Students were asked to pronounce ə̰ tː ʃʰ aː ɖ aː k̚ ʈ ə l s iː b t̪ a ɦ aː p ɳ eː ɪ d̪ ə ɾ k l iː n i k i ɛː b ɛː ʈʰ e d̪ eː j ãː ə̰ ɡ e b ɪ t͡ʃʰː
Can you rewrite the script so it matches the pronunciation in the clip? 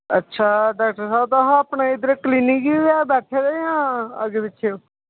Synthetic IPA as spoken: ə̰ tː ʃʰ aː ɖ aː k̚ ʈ ə ɾ s aː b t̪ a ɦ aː p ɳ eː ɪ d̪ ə ɾ k l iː n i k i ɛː b ɛː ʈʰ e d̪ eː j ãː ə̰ ɡ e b ɪ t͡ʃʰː